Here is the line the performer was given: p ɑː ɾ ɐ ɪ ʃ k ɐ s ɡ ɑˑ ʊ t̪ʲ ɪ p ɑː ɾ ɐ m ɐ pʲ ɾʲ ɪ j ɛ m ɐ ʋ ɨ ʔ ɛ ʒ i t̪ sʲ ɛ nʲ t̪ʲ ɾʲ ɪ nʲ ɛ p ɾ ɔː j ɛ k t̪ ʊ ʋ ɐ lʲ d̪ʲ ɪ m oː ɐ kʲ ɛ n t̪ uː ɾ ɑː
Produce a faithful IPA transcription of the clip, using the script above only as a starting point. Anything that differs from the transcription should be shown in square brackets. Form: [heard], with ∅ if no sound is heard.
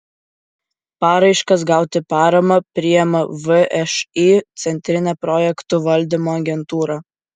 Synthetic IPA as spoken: p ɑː ɾ ɐ ɪ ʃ k ɐ s ɡ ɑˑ ʊ t̪ʲ ɪ p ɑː ɾ ɐ m ɐ pʲ ɾʲ ɪ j ɛ m ɐ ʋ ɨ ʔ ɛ [ʃ] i t̪ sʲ ɛ nʲ t̪ʲ ɾʲ ɪ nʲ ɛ p ɾ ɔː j ɛ k t̪ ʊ ʋ ɐ lʲ d̪ʲ ɪ m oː ɐ [ɡʲ] ɛ n t̪ uː ɾ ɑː